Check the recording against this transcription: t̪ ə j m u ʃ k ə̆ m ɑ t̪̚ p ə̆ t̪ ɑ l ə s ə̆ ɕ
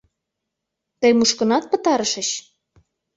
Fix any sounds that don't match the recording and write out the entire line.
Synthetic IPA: t̪ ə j m u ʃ k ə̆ n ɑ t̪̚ p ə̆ t̪ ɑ ɾ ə ʃ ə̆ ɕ